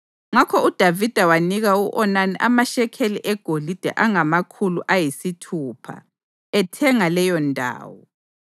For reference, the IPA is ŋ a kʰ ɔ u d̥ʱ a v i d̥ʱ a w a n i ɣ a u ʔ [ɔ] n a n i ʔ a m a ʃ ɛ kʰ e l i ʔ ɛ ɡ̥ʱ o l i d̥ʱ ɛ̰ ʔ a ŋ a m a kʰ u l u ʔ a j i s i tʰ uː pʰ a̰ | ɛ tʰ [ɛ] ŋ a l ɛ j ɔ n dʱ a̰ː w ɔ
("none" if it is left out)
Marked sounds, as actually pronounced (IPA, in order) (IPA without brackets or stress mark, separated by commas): ɔ, ɛ